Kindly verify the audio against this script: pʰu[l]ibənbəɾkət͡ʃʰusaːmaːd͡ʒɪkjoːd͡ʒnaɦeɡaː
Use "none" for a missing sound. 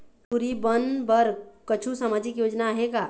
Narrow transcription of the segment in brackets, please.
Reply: ɾ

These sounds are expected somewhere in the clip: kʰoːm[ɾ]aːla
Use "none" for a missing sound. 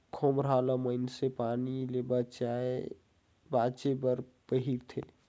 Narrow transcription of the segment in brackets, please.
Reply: ɾ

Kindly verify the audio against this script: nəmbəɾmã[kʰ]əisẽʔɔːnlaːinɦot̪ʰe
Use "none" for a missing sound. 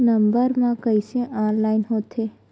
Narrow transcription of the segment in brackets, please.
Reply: k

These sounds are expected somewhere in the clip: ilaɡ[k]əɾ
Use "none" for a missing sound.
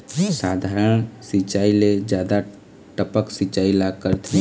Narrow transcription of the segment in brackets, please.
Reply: k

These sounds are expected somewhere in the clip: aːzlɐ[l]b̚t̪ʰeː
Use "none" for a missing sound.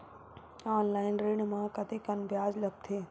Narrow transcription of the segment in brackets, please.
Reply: none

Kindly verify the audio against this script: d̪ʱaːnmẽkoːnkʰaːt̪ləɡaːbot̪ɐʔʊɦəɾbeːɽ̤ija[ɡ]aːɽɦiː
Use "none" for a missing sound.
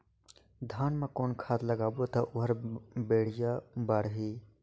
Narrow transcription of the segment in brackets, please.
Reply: b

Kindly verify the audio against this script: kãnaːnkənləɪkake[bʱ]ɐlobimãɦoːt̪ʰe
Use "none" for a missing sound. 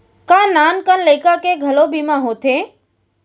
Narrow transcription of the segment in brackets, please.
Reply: ɡʱ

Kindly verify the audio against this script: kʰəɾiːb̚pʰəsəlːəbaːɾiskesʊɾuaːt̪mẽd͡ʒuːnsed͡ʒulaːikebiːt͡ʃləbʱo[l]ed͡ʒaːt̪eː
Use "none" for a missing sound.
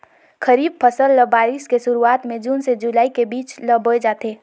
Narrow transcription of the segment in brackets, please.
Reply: none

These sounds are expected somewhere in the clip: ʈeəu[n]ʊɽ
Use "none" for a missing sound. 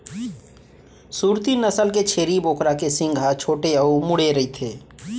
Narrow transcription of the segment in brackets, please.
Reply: m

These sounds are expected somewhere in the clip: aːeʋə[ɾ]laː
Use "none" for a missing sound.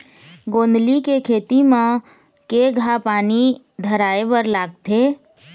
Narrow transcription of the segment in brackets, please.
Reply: ɾ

